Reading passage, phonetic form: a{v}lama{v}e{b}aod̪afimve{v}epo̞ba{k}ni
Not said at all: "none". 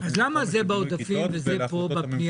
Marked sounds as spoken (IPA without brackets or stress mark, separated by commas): z, z, b, z, p